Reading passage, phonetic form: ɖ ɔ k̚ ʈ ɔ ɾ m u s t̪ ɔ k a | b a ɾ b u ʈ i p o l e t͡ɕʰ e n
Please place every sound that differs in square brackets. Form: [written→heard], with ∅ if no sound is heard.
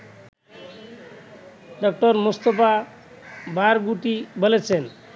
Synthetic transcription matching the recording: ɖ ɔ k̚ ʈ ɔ ɾ m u s t̪ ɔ [k→p] a | b a ɾ [b→ɡ] u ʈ i [p→b] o l e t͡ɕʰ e n